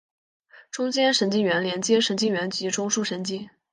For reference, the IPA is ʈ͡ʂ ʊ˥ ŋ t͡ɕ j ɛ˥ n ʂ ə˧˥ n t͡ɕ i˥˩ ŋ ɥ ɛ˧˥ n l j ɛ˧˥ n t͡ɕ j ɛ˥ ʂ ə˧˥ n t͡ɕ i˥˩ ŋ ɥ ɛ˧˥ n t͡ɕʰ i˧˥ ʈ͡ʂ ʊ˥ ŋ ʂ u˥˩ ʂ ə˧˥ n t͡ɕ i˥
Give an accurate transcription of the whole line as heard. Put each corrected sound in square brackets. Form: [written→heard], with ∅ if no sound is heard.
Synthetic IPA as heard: ʈ͡ʂ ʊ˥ ŋ t͡ɕ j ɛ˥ n ʂ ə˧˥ n t͡ɕ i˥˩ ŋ ɥ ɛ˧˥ n l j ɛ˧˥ n t͡ɕ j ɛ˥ ʂ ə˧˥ n t͡ɕ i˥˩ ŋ ɥ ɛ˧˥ n [t͡ɕʰ→t͡ɕ] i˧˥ ʈ͡ʂ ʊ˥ ŋ ʂ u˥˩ ʂ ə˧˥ n t͡ɕ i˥